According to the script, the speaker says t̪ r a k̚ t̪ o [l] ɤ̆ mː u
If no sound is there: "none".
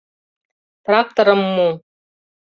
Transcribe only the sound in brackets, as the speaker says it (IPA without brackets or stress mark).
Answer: ɾ